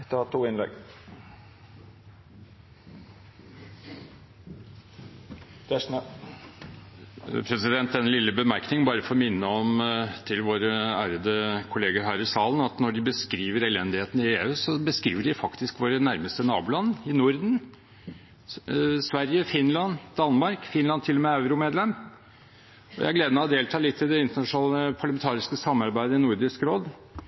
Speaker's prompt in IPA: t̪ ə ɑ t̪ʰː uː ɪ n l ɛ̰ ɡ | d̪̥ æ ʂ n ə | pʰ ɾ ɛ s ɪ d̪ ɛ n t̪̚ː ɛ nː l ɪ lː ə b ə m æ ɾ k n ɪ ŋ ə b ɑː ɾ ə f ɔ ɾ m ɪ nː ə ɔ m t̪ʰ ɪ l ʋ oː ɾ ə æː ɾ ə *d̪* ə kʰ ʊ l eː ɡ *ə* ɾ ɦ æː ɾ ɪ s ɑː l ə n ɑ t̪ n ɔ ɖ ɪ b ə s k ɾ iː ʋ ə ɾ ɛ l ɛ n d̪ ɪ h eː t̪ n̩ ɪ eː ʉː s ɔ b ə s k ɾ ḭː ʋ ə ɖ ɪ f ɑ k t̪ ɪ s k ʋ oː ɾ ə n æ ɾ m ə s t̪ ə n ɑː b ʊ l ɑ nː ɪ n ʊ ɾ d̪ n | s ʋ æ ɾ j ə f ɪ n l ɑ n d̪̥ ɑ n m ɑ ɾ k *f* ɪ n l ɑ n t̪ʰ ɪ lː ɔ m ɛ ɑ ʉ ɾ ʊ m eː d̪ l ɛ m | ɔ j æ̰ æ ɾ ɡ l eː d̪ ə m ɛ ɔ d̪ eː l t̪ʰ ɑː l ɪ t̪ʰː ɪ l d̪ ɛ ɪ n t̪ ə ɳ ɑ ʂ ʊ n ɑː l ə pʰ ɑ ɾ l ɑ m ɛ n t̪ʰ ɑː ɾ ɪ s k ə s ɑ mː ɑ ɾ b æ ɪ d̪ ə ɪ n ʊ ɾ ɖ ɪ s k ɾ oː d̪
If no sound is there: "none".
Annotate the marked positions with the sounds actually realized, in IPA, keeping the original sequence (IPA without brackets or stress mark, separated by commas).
d̪, ə, f